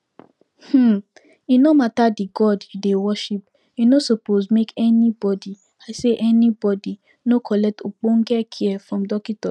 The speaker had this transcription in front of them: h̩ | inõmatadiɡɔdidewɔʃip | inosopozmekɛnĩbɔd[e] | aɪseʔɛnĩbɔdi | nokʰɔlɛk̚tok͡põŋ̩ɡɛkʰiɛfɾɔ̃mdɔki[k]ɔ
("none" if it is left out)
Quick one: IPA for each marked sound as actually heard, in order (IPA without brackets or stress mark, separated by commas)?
i, t